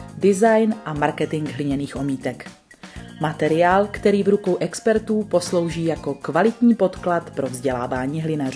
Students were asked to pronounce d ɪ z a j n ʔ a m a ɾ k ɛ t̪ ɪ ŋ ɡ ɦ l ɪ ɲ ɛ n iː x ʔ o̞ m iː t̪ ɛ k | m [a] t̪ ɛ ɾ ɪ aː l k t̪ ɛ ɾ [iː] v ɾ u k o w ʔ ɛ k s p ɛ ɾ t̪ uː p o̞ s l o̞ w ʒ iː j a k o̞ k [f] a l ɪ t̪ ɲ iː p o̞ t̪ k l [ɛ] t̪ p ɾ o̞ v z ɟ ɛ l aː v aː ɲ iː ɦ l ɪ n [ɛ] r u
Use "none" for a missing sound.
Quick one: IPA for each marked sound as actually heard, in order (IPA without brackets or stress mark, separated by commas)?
a, iː, v, a, a